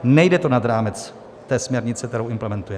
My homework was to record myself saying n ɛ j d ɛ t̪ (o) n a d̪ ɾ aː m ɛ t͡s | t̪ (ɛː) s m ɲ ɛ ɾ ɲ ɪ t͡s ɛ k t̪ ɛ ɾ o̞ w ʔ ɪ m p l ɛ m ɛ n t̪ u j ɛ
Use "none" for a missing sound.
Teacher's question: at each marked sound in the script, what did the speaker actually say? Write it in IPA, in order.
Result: o, ɛː

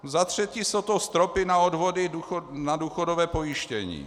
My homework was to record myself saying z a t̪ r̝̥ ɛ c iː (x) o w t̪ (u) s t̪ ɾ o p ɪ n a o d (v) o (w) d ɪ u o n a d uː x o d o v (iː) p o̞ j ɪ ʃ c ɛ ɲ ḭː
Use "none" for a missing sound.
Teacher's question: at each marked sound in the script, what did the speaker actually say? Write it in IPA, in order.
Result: s, o, v, none, ɛː

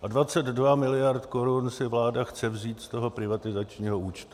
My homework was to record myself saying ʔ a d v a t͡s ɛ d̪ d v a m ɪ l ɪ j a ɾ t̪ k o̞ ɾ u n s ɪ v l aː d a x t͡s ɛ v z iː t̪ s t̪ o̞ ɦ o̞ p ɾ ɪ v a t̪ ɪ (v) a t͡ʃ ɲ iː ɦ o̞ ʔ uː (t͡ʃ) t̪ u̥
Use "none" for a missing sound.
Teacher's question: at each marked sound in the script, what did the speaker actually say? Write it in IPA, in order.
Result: z, t͡ʃ

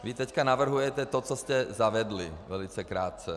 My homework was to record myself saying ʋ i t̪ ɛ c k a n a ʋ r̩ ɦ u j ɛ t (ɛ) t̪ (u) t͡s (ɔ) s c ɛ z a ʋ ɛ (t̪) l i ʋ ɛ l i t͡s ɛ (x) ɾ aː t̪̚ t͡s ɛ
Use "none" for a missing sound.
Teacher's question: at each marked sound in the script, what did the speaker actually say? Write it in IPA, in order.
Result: ɛ, ɔ, ɔ, d̪, k

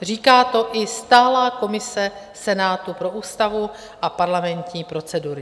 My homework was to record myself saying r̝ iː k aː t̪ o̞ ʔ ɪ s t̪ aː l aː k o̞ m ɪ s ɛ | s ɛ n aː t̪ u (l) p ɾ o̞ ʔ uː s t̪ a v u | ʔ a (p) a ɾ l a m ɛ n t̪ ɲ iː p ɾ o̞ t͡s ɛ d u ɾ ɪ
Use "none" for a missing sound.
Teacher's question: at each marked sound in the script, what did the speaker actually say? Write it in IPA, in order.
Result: none, p

